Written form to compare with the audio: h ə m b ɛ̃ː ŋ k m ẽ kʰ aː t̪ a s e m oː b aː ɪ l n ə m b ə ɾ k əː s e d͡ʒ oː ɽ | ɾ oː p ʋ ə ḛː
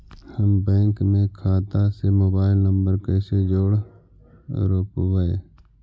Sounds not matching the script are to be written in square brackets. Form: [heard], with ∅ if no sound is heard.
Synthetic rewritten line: h ə m b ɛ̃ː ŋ k m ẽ kʰ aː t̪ a s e m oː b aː ɪ l n ə m b ə ɾ k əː s e d͡ʒ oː ɽ | ɾ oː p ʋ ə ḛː